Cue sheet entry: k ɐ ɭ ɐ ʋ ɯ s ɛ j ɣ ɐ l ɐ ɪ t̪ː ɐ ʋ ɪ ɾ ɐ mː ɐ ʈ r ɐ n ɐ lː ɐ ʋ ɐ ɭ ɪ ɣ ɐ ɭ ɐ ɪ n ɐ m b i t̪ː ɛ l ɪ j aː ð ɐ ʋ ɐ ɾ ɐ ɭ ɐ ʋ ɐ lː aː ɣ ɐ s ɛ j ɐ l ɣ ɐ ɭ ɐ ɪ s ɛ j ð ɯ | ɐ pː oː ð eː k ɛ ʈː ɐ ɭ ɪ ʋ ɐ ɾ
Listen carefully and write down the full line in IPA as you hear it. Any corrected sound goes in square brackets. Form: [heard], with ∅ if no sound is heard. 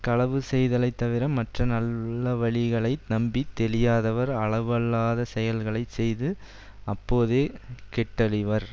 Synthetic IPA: k ɐ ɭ ɐ ʋ ɯ s ɛ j [ð] ɐ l ɐ ɪ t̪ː ɐ ʋ ɪ ɾ ɐ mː ɐ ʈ r ɐ n ɐ lː ɐ ʋ ɐ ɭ ɪ ɣ ɐ ɭ ɐ ɪ n ɐ m b i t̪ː ɛ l ɪ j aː ð ɐ ʋ ɐ ɾ ɐ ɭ ɐ ʋ ɐ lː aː [ð] ɐ s ɛ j ɐ l ɣ ɐ ɭ ɐ ɪ s ɛ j ð ɯ | ɐ pː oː ð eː k ɛ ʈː ɐ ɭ ɪ ʋ ɐ ɾ